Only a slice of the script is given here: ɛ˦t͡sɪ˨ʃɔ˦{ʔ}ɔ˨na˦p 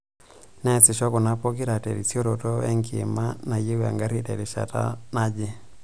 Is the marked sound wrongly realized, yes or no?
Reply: yes